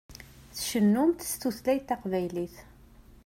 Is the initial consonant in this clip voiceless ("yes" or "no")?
yes